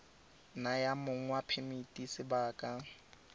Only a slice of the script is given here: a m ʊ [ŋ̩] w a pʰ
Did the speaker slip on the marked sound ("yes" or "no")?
no